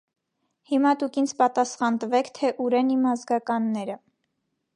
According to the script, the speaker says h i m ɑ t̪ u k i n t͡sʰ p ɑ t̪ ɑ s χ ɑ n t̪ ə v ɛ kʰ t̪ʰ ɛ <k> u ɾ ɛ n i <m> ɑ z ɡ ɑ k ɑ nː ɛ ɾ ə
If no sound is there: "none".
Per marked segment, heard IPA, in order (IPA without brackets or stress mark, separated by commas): ʔ, m